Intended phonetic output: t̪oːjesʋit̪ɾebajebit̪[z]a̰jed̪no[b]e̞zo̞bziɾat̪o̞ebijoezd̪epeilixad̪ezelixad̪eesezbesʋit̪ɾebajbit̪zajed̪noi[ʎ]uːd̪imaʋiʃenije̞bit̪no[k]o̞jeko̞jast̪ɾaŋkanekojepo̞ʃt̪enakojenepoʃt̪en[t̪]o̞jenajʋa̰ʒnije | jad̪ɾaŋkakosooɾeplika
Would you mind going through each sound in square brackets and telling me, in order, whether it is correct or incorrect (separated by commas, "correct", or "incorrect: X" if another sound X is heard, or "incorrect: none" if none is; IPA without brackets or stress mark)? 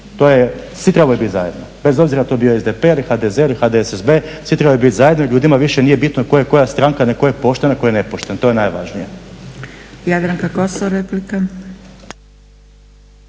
correct, correct, correct, correct, correct